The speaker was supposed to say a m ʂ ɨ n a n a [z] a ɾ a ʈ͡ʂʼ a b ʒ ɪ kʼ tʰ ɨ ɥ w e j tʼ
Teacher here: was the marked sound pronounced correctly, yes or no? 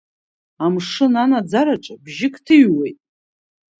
no